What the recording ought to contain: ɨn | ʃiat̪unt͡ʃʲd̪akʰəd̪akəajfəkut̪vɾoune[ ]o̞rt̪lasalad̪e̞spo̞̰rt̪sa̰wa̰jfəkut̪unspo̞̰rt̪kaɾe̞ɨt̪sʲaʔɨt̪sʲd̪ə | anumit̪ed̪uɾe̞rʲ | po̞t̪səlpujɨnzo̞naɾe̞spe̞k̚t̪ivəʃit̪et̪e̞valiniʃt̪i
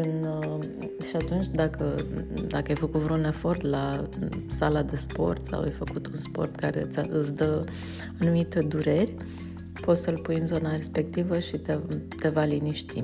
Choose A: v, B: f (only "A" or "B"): B